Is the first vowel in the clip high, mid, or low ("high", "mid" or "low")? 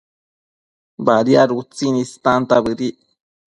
low